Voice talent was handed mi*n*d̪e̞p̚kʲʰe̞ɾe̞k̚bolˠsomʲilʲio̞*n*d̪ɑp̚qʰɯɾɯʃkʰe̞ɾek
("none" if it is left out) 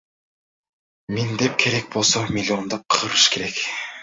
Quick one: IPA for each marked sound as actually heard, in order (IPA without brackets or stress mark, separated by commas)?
n, n